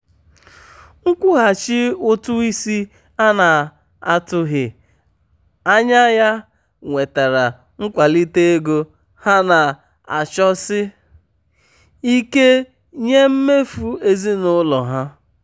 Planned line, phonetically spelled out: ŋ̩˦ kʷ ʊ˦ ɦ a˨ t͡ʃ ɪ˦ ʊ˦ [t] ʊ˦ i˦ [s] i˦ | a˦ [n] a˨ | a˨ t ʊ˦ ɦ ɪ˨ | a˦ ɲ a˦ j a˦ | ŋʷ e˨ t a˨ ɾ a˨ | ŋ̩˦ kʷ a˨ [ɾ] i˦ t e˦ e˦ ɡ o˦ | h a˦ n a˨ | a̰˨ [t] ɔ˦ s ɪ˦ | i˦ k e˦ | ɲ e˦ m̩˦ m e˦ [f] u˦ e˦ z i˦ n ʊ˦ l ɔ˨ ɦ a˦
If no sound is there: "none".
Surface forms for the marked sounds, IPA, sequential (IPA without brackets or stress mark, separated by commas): t, s, n, l, t͡ʃ, f